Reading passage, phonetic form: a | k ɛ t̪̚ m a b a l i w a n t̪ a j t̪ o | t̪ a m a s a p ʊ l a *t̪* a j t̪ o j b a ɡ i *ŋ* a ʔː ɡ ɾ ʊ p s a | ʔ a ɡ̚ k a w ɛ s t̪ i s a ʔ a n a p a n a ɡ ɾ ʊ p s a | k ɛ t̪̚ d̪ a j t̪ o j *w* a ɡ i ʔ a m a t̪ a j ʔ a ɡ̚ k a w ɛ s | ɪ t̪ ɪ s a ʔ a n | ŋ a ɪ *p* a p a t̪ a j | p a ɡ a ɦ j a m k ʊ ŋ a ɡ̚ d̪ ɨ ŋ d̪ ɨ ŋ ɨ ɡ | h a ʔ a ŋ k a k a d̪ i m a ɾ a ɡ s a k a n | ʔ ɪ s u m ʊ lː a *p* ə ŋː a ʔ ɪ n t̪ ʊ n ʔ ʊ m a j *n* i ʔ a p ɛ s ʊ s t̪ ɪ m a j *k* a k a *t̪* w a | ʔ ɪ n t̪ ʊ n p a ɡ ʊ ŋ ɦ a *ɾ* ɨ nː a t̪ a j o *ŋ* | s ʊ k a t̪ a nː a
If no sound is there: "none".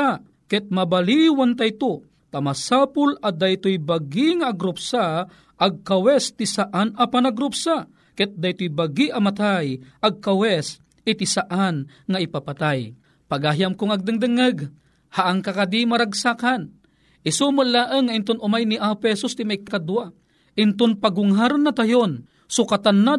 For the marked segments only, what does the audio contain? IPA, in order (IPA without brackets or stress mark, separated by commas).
d̪, ŋ, b, p, ʔ, n, k, d̪, ɾ, n